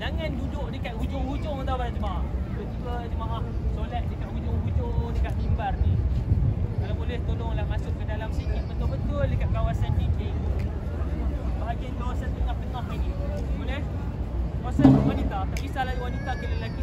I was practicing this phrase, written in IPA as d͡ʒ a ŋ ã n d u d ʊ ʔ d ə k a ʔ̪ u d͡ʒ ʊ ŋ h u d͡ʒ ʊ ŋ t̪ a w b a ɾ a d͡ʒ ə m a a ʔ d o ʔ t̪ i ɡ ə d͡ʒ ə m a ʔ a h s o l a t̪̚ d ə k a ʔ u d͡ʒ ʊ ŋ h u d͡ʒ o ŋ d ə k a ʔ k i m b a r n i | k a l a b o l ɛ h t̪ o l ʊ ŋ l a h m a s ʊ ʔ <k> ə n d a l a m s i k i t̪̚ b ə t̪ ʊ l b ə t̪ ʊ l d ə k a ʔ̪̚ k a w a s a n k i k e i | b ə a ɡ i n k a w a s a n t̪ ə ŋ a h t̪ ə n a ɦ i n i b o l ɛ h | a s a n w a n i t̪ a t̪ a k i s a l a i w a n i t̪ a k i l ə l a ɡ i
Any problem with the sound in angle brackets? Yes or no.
no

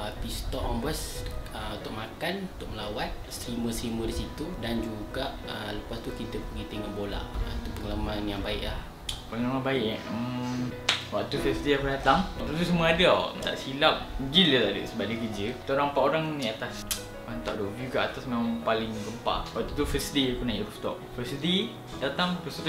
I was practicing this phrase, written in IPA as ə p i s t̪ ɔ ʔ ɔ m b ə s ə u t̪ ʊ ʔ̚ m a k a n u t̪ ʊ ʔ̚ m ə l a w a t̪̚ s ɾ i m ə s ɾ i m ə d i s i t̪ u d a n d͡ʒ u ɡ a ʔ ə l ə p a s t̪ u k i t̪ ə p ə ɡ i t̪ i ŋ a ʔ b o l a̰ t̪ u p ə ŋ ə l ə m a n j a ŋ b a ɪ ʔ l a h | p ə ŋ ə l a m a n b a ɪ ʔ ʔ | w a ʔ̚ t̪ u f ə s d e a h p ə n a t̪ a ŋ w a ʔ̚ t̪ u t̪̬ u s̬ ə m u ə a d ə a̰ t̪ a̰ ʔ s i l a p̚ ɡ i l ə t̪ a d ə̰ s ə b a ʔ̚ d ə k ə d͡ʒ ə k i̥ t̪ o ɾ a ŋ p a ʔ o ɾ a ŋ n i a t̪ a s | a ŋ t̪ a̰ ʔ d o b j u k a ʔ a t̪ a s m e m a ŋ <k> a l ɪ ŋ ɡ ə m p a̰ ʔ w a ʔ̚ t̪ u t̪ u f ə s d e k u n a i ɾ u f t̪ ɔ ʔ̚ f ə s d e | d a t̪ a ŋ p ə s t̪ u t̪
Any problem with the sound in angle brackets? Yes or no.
yes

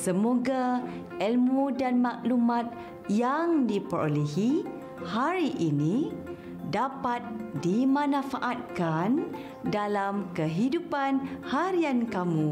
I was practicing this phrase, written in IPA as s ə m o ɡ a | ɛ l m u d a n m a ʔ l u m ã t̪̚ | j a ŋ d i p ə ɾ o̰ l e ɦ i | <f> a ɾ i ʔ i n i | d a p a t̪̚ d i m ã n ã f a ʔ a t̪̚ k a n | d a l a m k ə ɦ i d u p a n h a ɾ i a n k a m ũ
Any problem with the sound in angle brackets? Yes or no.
yes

